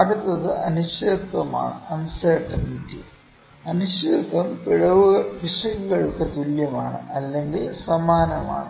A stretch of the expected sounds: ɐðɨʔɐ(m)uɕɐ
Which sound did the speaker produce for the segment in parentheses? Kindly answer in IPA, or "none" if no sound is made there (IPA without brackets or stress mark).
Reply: n